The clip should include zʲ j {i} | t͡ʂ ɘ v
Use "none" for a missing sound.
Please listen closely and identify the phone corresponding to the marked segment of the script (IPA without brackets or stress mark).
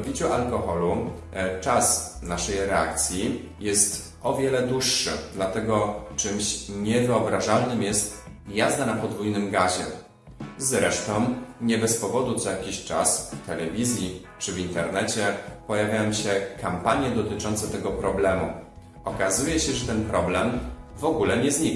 i